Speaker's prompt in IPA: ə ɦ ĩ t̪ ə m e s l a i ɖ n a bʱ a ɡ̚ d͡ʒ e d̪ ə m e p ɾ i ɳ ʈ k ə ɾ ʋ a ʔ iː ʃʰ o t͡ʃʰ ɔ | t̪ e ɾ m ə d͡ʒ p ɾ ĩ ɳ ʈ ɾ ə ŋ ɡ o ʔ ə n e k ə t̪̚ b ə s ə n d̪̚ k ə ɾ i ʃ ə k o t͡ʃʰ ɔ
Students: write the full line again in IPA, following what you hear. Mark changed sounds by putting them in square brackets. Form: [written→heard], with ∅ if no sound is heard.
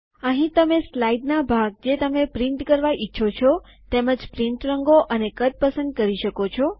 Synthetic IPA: ə ɦ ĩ t̪ ə m e s l a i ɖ n a bʱ a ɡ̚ d͡ʒ e [d̪→t̪] ə m e p ɾ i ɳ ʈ k ə ɾ ʋ a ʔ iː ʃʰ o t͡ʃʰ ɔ | t̪ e [ɾ→∅] m ə d͡ʒ p ɾ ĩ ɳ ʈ ɾ ə ŋ ɡ o ʔ ə n e k ə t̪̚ [b→p] ə s ə n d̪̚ k ə ɾ i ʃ ə k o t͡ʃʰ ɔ

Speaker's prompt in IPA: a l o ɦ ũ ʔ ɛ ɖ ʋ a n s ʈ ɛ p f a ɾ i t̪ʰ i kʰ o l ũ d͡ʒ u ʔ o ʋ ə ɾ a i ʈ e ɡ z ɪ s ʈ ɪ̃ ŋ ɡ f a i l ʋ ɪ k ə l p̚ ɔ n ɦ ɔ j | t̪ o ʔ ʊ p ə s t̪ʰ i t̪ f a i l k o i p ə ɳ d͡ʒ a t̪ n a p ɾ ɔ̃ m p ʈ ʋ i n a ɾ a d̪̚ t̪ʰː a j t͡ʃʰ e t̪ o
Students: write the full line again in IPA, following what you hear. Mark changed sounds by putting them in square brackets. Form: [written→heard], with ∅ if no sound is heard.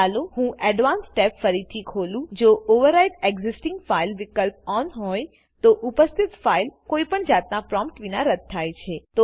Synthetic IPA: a l o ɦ ũ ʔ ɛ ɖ ʋ a n s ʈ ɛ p f [a→ə] ɾ i t̪ʰ i kʰ o l ũ d͡ʒ [u→o] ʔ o ʋ ə ɾ a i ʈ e ɡ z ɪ s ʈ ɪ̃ ŋ ɡ f a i l ʋ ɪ k ə l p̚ ɔ n ɦ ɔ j | t̪ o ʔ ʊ p ə s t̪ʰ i t̪ f a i l k o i p ə ɳ d͡ʒ a t̪ n a p ɾ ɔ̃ m p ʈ ʋ i n a ɾ [a→ə] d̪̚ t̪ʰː a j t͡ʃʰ e t̪ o

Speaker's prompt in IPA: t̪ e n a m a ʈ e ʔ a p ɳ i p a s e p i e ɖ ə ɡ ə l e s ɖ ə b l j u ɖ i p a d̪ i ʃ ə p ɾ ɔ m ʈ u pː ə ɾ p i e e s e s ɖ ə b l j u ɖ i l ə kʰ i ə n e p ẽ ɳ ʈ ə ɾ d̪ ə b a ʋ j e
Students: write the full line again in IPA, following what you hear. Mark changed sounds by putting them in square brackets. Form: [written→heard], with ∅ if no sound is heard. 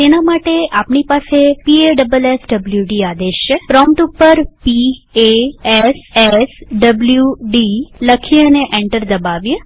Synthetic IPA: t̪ e n a m a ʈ e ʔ a p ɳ i p a s e p i e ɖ ə [ɡ→b] ə l e s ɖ ə b l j u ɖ i [p→∅] a d̪ [i→e] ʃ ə p ɾ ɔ m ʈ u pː ə ɾ p i e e s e s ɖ ə b l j u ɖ i l ə kʰ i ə n e [p→ʔ] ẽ ɳ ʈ ə ɾ d̪ ə b a ʋ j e

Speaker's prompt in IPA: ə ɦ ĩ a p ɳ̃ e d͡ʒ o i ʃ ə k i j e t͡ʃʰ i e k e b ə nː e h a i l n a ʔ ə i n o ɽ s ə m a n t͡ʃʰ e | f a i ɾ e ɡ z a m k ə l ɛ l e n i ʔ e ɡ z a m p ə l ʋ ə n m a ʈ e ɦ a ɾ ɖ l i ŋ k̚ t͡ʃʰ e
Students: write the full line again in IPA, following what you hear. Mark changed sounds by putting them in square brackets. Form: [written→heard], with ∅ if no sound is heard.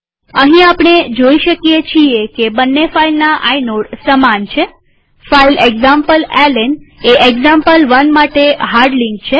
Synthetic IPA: ə ɦ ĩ a p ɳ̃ e d͡ʒ o i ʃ ə k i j e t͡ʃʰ i e k e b ə nː e [h→f] a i l n a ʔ [ə→a] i n o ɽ s ə m a n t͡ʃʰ e | f a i [ɾ→l] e ɡ z a m [k→p] ə l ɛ l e n [i→e] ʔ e ɡ z a m p ə l ʋ ə n m a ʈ e ɦ a ɾ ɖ l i ŋ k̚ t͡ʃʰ e

